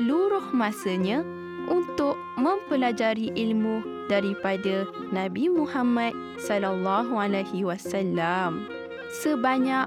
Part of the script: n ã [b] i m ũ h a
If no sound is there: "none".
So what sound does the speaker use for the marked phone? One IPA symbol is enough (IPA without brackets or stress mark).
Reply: b